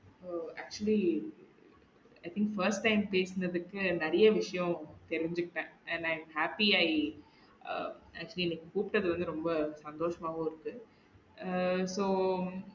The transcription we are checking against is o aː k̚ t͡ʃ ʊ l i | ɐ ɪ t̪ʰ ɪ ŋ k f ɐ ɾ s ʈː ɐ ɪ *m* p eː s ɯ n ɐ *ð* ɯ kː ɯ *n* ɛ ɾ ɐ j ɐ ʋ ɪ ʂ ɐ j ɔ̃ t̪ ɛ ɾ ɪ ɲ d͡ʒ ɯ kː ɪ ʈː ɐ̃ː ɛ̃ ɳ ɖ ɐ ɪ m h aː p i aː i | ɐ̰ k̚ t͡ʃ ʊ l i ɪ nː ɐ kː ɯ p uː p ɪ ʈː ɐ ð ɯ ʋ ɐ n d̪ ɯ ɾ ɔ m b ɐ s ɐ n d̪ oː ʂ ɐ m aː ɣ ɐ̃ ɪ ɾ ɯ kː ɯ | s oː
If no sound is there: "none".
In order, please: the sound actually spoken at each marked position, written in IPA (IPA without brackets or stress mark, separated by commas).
m, ð, n